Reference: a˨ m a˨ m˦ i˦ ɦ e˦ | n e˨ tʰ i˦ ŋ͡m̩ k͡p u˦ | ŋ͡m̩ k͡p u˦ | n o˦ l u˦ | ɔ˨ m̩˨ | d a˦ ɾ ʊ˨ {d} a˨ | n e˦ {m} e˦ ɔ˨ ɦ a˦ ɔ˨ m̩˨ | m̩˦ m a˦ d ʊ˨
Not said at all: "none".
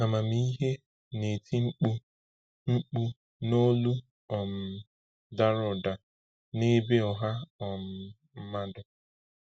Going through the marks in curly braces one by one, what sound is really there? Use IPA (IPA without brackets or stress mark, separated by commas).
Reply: d, b